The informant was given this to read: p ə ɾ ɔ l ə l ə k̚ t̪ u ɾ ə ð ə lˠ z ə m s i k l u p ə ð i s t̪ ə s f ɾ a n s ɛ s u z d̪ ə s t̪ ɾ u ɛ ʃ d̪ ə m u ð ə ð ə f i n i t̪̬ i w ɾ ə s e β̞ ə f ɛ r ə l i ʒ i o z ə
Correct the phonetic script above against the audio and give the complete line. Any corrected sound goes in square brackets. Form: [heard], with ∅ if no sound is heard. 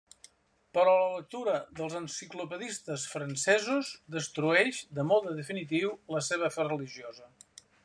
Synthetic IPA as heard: p ə ɾ ɔ l ə l ə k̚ t̪ u ɾ ə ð ə lˠ z ə [n] s i k l u p ə ð i s t̪ ə s f ɾ [ə] n s ɛ [z] u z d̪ ə s t̪ ɾ u ɛ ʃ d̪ ə m [ɔ] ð ə ð ə f i n i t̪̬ i w [l] ə s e β̞ ə f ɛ r ə l i ʒ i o z ə